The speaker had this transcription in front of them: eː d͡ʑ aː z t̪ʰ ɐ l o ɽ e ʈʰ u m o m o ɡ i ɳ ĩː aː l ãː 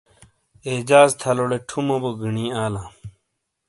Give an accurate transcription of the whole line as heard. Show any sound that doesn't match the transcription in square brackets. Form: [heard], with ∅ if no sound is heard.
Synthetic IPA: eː d͡ʑ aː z t̪ʰ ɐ l o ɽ e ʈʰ u m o [b] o ɡ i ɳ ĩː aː l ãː

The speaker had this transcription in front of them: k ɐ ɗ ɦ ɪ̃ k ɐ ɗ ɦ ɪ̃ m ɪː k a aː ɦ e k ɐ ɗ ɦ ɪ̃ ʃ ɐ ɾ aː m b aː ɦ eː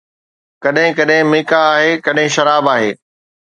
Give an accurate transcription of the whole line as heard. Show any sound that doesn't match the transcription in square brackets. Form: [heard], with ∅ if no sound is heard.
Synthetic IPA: k ɐ ɗ ɦ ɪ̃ k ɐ ɗ ɦ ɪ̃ m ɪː k a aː ɦ e k ɐ ɗ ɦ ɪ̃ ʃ ɐ ɾ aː [∅] b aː ɦ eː

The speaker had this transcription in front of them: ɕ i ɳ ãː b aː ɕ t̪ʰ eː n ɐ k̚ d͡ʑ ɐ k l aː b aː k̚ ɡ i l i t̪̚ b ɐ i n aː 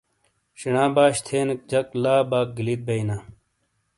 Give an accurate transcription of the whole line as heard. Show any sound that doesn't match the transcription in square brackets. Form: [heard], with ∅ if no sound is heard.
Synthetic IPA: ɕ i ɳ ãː b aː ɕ t̪ʰ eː n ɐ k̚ d͡ʑ ɐ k l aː b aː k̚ ɡ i l i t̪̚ b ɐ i n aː

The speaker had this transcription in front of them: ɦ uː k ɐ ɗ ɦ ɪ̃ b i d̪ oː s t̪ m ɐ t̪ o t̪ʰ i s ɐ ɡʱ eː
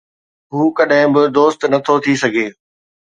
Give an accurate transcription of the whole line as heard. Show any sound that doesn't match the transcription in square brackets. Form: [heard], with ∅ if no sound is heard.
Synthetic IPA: ɦ uː k ɐ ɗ ɦ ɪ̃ b [ɪ] d̪ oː s t̪ [n] ɐ [t̪ʰ] o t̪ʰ i s ɐ ɡʱ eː

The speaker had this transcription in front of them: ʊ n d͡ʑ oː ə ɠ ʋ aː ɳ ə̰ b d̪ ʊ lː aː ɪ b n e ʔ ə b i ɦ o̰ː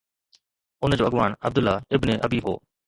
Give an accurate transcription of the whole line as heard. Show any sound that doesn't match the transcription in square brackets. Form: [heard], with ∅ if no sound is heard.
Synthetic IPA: ʊ n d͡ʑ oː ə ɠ ʋ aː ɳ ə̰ b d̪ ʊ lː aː ɪ b n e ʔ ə b [iː] ɦ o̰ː

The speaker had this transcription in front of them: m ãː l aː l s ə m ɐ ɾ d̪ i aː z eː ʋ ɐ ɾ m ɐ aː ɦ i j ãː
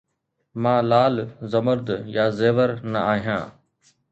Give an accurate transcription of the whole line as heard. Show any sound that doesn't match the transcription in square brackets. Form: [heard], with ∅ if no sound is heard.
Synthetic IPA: m ãː l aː l [z] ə m [ə] ɾ d̪ [j] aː z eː ʋ [ə] ɾ [n] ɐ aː ɦ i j ãː

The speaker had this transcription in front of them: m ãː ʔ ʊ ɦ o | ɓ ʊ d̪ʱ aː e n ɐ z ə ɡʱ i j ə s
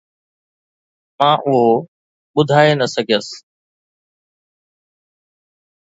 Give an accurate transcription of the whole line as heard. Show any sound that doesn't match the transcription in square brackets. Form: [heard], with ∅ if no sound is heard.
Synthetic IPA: m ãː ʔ ʊ ɦ o | ɓ ʊ d̪ʱ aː e n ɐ [s] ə ɡʱ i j ə s

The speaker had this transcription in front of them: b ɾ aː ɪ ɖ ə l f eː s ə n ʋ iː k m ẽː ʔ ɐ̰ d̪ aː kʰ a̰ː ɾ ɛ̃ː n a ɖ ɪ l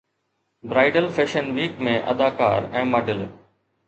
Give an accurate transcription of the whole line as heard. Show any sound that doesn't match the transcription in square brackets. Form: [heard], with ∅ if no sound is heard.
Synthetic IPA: b ɾ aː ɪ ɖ ə l f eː [ʃ] ə n ʋ iː k m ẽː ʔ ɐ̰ d̪ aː [k] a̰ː ɾ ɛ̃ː [m] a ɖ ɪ l

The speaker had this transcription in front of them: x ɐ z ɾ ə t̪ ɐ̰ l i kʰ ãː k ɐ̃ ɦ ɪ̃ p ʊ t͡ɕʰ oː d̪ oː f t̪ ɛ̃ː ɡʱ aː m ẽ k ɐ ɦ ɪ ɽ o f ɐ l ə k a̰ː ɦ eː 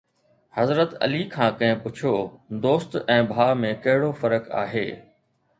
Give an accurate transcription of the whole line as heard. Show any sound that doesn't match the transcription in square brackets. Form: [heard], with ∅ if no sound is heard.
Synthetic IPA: [h] ɐ z ɾ ə t̪ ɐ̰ l i kʰ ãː k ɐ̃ ɦ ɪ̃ p ʊ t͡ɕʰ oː d̪ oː [s] t̪ ɛ̃ː [bʱ] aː m ẽ k ɐ ɦ ɪ ɽ o f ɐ [ɾ] ə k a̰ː ɦ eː

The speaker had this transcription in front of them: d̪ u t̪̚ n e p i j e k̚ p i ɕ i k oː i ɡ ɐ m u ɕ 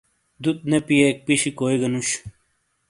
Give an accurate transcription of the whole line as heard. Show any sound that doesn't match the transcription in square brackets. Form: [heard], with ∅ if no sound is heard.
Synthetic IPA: d̪ u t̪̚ n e p i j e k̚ p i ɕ i k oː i ɡ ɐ [n] u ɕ

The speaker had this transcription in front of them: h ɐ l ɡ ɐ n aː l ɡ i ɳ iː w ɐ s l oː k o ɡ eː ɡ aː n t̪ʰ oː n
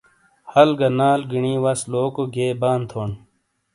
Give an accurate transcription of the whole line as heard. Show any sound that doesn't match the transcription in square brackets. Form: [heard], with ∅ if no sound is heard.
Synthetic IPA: h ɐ l ɡ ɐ n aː l ɡ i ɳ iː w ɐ s l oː k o ɡ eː [b] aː n t̪ʰ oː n

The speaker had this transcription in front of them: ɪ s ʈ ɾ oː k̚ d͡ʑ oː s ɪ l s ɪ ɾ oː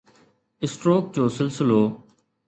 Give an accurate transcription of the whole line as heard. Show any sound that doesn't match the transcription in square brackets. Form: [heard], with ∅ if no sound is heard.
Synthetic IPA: ɪ s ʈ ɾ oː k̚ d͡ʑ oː s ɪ l s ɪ [l] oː

